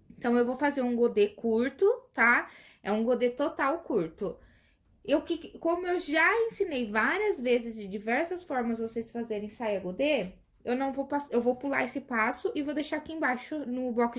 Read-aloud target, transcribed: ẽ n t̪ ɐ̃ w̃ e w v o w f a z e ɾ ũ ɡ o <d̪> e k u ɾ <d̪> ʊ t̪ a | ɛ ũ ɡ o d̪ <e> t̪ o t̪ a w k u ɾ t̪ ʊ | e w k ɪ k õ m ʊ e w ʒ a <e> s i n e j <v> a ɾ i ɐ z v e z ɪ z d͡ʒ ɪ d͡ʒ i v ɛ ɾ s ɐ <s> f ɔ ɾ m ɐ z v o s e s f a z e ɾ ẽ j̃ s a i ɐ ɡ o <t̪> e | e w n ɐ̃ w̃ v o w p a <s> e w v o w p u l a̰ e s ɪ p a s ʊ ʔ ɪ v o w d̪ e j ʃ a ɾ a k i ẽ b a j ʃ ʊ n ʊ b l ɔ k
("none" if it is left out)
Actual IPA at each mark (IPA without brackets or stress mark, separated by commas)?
d̪, t̪, e, ẽ, v, s, d̪, s